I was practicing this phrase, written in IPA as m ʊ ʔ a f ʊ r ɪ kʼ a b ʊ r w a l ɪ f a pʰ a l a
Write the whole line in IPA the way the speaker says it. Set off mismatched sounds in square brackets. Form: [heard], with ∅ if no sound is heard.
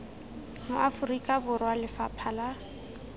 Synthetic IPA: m ʊ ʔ a f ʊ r [i] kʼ a b ʊ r w a l ɪ f a pʰ a l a